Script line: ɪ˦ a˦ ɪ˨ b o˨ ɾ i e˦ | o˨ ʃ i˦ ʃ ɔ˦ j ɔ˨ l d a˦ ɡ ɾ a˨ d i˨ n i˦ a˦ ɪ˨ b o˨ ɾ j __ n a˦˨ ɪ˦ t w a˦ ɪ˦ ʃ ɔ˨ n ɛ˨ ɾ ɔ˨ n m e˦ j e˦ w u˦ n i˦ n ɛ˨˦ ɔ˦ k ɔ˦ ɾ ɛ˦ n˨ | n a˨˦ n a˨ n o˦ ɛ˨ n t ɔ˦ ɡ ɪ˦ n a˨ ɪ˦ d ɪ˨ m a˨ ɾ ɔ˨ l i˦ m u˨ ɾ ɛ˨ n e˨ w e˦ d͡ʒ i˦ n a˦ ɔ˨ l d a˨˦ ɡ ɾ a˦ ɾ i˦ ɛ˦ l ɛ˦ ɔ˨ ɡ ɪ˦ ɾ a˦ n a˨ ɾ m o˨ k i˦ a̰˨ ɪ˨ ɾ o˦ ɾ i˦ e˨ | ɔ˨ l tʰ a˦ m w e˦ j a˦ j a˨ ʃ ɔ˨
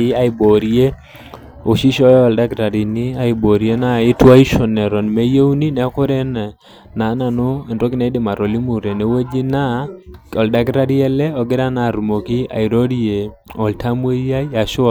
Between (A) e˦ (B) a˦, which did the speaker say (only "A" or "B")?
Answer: A